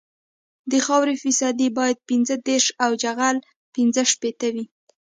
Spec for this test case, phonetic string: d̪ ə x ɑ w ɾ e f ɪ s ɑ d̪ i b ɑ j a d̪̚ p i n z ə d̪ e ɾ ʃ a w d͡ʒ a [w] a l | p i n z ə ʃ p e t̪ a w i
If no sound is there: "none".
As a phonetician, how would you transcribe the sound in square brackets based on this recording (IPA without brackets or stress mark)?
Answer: ɣ